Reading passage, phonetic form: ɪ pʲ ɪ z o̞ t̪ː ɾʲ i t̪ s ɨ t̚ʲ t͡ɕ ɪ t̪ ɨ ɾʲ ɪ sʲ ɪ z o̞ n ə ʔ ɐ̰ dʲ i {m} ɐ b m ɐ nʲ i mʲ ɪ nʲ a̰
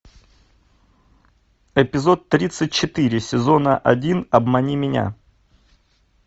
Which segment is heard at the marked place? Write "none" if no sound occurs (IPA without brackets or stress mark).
n